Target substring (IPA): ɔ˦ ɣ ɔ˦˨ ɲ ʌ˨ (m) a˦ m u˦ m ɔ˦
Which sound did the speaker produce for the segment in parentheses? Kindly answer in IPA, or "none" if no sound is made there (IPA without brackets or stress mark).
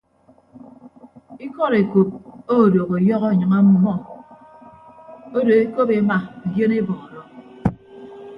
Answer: ŋ